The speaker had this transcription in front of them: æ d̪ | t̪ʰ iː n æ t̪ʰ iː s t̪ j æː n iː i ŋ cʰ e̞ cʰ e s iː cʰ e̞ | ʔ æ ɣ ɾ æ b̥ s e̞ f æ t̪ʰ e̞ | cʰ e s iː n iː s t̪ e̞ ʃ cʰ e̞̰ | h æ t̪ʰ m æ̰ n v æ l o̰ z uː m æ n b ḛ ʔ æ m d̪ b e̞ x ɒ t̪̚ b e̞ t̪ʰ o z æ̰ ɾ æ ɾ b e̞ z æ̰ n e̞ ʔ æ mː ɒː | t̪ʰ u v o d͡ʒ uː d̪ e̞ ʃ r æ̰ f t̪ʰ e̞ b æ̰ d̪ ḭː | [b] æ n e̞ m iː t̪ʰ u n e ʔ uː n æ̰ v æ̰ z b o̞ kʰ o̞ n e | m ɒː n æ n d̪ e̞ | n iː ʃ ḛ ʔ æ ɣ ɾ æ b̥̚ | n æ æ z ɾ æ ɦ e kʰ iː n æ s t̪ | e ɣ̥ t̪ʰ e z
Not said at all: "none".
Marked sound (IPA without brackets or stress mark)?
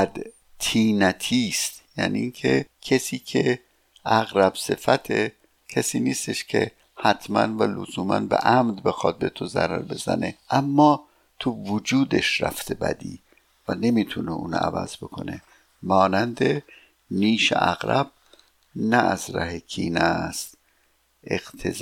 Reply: v